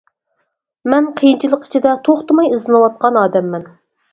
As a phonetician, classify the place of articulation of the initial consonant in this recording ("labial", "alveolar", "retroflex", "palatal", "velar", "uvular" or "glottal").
labial